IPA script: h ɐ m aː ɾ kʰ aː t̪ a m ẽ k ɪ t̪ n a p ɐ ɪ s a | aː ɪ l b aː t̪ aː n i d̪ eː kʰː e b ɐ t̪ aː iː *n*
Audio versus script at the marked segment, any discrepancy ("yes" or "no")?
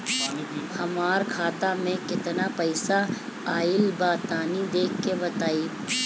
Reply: yes